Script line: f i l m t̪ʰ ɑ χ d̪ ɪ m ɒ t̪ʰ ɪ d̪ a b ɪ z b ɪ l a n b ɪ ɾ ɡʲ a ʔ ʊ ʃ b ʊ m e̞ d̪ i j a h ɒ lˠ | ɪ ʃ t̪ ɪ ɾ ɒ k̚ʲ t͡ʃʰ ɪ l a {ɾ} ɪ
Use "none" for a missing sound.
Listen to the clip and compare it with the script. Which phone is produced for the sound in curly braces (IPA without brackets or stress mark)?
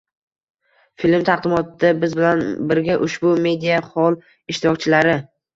ɾ